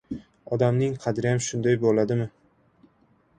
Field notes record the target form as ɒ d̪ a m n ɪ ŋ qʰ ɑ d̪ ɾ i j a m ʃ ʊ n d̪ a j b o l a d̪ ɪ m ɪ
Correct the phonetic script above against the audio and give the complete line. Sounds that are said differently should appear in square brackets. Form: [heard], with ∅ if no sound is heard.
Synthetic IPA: ɒ d̪ a m n ɪ ŋ qʰ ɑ d̪ ɾ [ɪ] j a m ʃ ʊ n d̪ a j b o l a d̪ ɪ m ɪ